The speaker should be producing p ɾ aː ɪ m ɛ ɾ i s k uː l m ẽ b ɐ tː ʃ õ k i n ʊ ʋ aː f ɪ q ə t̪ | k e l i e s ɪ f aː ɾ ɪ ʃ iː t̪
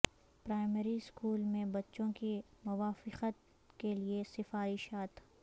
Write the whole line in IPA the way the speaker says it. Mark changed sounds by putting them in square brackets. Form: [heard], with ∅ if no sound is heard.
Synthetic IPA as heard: p ɾ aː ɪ m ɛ ɾ i s k uː l m ẽ b ɐ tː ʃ õ k i [m] ʊ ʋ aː f ɪ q ə t̪ | k e l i e s ɪ f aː ɾ ɪ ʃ [aː] t̪